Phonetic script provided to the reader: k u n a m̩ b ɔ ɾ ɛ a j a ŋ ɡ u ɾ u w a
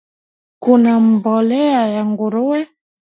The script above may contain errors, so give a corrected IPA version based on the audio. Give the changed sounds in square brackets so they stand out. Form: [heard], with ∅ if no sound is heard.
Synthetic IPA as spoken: k u n a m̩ b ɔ [l] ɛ a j a ŋ ɡ u ɾ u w [ɛ]